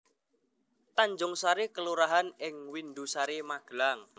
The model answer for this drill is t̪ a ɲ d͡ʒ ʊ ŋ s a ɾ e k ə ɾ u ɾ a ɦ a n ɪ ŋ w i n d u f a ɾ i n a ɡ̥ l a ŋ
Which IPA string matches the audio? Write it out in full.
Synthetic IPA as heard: t̪ a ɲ d͡ʒ ʊ ŋ s a ɾ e k ə l u ɾ a ɦ a n ɪ ŋ w i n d u s a ɾ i m a ɡ̥ l a ŋ